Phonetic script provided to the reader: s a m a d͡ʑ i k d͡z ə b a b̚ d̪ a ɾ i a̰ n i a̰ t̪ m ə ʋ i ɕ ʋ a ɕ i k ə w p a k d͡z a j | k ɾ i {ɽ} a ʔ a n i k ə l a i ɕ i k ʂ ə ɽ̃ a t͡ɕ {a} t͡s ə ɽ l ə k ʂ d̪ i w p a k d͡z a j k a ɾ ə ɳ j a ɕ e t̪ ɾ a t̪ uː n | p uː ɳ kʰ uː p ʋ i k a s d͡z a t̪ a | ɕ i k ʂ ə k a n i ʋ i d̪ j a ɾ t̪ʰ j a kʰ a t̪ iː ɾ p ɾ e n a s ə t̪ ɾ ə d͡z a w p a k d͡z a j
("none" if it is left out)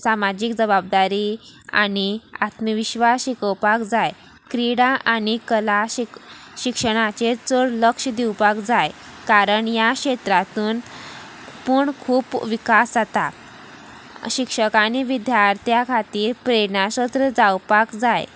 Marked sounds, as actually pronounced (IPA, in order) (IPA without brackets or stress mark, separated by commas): ɽ, e